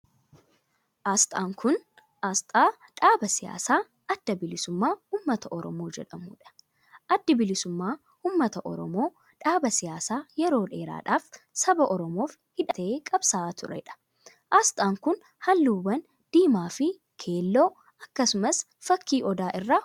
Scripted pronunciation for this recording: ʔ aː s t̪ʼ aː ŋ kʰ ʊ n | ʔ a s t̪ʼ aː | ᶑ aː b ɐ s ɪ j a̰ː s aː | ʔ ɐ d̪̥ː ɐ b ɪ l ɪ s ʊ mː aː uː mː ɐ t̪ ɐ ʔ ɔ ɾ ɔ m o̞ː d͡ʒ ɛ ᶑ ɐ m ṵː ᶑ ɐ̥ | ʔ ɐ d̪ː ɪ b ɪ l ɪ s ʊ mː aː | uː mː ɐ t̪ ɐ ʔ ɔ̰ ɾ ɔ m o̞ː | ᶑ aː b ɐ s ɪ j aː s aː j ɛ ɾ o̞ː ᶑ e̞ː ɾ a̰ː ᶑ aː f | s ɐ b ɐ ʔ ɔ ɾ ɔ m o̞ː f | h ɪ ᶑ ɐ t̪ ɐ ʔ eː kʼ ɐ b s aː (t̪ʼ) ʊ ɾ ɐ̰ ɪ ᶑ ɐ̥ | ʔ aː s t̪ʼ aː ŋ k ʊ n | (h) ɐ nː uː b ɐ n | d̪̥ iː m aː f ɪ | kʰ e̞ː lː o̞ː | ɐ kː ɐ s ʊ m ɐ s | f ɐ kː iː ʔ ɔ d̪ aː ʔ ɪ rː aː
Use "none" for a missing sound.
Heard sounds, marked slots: t̪, h

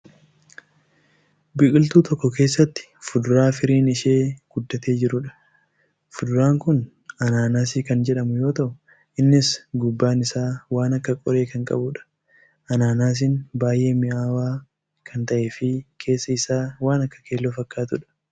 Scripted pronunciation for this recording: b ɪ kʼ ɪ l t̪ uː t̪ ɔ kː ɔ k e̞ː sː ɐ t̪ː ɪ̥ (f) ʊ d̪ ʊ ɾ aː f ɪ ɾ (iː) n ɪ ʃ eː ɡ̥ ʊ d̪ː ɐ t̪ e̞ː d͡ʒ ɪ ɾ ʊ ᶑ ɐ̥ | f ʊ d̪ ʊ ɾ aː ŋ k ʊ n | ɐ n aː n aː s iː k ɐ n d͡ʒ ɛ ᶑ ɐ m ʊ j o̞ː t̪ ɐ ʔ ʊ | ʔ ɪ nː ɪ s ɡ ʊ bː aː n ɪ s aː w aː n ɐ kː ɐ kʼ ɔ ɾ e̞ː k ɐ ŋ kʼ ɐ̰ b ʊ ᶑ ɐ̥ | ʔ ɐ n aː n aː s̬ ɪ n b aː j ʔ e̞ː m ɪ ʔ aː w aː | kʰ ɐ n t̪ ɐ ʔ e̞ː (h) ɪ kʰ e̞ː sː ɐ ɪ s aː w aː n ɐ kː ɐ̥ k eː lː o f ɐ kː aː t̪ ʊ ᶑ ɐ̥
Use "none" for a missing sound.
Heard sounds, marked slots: f, iː, f

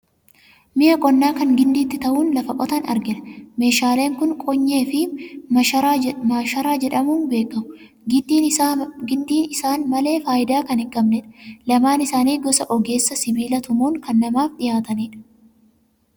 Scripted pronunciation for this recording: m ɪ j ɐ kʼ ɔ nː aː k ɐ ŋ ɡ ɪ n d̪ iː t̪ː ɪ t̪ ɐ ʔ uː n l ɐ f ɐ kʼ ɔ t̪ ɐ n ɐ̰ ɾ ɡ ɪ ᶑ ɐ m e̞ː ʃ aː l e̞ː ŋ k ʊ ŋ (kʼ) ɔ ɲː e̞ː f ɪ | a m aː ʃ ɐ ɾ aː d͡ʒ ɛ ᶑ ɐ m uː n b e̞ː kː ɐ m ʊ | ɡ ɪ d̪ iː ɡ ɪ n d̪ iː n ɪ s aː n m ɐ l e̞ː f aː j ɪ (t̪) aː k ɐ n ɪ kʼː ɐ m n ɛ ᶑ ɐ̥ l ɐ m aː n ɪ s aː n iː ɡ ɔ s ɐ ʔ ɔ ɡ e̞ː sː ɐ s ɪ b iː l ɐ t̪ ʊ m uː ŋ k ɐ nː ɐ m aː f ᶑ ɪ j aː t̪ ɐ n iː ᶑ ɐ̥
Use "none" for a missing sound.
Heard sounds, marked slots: kʼ, d̪

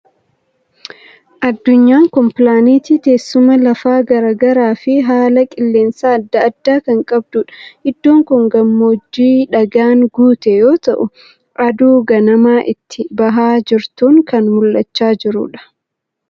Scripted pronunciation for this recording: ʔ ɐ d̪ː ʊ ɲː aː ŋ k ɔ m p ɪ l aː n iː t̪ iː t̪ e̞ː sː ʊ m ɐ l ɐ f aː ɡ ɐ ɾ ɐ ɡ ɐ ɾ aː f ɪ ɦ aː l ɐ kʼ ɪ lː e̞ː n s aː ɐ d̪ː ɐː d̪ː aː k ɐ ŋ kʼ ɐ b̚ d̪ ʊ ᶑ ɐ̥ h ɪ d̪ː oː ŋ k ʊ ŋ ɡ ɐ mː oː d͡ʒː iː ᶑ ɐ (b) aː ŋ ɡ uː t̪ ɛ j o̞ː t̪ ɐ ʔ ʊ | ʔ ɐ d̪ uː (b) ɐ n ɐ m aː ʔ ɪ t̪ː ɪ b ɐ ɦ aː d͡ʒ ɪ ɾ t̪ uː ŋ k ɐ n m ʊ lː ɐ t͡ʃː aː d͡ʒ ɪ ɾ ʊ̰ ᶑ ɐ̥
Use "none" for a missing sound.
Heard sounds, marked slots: ɡ, ɡ

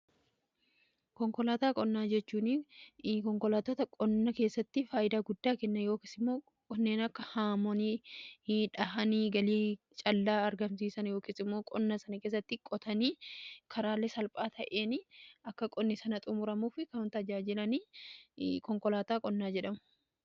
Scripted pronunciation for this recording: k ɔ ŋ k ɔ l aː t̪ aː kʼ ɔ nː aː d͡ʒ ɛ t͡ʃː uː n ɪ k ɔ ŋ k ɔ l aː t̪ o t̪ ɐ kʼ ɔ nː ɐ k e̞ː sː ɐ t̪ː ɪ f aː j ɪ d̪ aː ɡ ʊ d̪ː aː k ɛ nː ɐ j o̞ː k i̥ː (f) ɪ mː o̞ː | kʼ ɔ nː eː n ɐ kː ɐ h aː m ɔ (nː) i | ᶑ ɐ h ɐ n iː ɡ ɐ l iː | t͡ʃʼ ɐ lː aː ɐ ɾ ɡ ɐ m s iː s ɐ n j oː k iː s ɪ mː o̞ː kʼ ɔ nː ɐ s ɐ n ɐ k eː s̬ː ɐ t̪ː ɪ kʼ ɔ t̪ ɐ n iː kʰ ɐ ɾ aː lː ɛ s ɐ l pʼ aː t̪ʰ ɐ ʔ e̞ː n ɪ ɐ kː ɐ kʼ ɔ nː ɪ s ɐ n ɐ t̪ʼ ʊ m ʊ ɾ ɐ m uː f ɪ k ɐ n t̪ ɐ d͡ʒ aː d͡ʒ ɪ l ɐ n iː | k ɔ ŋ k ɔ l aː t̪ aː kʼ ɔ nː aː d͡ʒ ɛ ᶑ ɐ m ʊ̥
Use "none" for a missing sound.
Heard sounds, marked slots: s, n

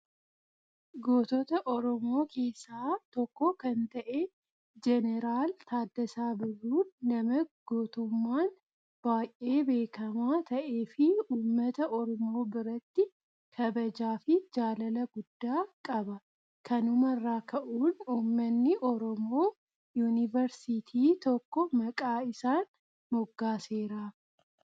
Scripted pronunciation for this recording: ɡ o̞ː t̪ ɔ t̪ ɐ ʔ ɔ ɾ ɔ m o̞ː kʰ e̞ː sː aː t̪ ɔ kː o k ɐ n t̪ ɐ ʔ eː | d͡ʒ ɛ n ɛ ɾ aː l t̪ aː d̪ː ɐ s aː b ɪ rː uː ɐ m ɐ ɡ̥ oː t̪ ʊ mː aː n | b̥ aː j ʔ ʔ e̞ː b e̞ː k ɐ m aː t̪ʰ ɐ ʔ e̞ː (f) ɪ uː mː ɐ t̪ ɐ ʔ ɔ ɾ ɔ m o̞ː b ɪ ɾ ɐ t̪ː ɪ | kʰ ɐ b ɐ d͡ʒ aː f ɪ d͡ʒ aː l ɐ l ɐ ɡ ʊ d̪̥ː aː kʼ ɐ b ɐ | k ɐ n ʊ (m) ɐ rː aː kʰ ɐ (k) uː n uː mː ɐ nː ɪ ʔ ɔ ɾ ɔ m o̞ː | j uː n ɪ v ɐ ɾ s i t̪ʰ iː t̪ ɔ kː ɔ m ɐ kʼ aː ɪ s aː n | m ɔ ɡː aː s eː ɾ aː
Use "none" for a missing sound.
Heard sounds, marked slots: f, m, ʔ

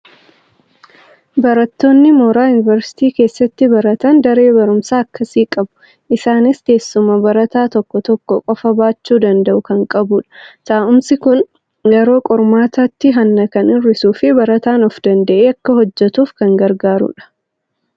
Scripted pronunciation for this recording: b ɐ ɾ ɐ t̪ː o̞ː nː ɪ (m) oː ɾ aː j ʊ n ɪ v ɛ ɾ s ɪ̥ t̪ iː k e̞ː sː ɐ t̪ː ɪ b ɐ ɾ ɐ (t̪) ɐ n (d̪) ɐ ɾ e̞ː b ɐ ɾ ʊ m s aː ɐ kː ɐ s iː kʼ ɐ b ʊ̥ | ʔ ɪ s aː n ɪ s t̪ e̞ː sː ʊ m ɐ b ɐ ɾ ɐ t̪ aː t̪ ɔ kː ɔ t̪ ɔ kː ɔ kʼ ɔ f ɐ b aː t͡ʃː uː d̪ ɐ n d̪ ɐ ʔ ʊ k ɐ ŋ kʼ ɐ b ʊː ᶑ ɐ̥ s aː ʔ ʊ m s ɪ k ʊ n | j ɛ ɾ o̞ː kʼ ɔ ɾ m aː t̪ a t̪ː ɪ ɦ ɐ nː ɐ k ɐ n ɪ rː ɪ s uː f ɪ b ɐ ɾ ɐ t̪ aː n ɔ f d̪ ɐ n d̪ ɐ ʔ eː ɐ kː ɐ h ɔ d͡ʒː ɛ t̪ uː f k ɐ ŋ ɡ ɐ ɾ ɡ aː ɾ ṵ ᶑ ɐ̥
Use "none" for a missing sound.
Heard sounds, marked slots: m, t̪, d̪

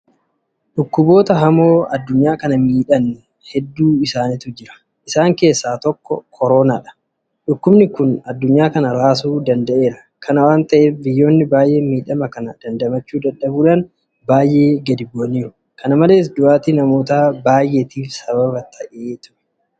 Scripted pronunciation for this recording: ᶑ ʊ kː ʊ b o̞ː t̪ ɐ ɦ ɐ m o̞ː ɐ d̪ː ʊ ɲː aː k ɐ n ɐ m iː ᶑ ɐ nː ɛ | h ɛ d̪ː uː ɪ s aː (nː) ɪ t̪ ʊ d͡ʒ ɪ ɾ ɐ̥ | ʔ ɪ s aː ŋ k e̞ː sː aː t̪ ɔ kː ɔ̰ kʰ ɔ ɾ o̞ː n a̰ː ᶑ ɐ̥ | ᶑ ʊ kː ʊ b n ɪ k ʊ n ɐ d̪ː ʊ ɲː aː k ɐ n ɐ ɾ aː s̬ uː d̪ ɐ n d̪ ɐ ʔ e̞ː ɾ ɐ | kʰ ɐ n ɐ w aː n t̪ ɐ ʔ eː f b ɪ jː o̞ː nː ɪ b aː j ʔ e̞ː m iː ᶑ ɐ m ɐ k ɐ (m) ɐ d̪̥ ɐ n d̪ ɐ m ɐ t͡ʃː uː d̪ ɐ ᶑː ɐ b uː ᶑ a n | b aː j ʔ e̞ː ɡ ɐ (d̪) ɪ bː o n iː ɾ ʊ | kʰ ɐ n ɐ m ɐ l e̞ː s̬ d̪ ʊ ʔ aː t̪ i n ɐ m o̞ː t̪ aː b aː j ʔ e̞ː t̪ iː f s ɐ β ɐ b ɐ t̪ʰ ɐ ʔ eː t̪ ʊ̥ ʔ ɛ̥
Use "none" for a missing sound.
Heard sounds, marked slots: n, n, d̪

